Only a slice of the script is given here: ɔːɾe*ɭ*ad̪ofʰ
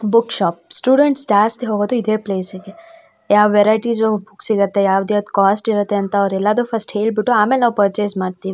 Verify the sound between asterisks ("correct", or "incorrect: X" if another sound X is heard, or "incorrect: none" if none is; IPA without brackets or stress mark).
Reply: incorrect: l